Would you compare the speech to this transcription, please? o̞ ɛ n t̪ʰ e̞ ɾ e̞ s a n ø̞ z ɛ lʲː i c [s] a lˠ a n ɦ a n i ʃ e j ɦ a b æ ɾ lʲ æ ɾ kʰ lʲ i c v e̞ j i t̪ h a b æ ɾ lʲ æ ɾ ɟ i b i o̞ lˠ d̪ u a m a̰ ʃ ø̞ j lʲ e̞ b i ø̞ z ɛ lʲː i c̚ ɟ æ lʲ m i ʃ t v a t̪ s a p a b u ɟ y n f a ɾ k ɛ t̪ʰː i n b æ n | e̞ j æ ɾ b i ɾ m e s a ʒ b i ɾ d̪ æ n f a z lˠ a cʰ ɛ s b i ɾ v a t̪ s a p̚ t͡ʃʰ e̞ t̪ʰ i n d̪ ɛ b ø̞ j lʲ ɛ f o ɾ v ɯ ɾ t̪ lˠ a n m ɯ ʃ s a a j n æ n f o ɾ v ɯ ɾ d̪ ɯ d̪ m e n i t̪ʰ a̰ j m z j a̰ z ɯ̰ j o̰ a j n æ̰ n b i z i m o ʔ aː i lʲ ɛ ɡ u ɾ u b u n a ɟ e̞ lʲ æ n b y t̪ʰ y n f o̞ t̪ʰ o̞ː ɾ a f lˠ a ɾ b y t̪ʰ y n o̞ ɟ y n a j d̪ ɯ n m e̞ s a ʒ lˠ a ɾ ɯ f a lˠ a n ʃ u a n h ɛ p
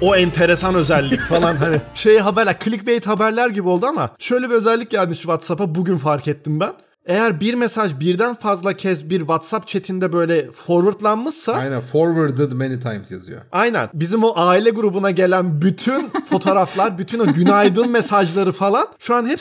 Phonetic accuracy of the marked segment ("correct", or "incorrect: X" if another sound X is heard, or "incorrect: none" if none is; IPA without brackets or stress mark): incorrect: f